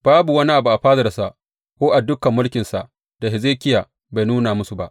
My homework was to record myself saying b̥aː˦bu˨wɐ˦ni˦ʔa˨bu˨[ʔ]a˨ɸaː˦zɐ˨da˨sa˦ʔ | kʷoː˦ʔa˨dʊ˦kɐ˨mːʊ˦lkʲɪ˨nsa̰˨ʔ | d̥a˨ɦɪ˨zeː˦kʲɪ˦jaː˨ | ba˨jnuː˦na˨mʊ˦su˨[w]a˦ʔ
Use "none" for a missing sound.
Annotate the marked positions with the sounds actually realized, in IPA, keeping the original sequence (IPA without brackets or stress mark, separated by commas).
ʔ, b